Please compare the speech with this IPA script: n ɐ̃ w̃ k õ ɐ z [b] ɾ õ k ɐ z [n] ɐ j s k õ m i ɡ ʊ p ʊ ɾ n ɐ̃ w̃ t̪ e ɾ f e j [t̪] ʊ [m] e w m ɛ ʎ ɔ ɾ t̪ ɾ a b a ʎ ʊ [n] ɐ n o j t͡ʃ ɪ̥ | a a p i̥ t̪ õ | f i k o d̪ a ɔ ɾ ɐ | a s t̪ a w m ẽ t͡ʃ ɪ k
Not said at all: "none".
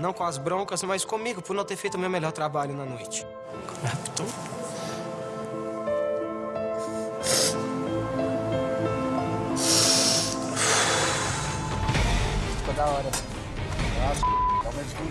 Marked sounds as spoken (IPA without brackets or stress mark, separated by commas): b, m, t̪, m, n